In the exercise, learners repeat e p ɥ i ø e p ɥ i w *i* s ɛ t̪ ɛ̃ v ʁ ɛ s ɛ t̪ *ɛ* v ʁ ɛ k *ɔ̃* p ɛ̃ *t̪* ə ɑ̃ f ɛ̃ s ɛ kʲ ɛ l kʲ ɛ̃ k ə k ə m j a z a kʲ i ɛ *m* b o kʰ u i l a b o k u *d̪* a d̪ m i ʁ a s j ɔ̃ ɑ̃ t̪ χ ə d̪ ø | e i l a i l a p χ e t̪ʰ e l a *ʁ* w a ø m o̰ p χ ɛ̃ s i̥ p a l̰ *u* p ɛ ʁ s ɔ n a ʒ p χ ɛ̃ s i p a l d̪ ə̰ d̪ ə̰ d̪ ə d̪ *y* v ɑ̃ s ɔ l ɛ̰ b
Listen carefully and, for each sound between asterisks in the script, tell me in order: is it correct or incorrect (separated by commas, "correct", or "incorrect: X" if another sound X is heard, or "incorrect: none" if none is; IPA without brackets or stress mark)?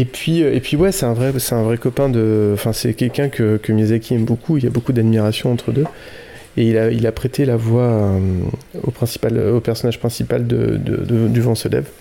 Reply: incorrect: ɛ, incorrect: ɛ̃, incorrect: ɔ, incorrect: d̪, correct, correct, incorrect: v, incorrect: o, correct